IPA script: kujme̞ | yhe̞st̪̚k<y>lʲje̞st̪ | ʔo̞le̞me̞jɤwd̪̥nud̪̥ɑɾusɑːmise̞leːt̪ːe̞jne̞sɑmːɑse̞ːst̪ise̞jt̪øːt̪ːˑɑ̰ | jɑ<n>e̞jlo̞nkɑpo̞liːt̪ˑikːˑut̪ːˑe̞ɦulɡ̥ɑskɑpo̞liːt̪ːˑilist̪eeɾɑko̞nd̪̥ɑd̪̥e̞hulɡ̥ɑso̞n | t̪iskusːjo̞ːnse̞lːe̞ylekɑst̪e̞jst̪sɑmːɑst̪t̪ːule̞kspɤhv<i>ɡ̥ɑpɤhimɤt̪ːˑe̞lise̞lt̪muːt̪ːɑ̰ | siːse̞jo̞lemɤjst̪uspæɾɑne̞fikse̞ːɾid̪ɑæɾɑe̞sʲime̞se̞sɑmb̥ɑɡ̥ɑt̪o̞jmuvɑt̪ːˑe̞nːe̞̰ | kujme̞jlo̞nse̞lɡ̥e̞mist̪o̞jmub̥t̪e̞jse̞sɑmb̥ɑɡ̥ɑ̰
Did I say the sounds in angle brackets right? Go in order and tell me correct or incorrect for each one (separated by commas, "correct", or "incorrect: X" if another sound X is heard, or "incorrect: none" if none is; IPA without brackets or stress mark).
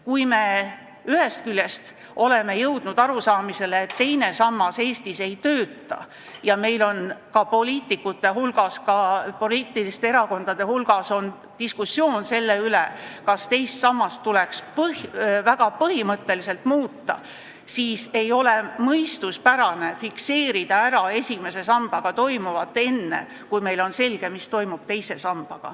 correct, incorrect: m, incorrect: æ